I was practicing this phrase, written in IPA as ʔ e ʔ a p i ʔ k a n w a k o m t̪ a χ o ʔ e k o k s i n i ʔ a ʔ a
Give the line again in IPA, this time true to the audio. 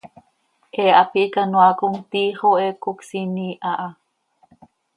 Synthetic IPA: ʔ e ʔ a p i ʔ k a n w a k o ŋ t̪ i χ o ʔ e k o k s i n i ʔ a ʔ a